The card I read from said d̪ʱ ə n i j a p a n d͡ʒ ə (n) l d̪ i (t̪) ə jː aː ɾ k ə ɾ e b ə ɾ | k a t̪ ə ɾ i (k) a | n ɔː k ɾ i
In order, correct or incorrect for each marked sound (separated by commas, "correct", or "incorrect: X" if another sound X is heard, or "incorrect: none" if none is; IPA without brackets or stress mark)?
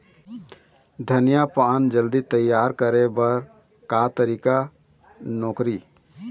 incorrect: none, correct, correct